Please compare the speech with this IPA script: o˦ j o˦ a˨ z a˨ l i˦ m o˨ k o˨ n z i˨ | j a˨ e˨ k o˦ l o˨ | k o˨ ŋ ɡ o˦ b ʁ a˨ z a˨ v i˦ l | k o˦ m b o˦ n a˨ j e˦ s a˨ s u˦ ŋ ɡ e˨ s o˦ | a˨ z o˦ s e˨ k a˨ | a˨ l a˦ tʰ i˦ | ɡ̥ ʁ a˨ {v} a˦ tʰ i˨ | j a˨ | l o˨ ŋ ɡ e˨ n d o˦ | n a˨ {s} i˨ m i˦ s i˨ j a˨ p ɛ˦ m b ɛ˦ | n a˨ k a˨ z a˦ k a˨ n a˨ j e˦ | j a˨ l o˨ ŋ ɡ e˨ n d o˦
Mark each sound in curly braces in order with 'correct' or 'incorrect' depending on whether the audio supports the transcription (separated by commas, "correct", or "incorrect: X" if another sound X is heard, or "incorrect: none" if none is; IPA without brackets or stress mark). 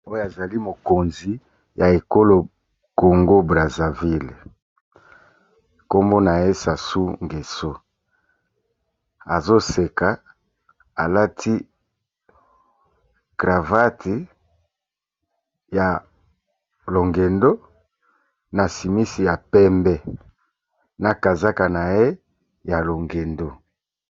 correct, correct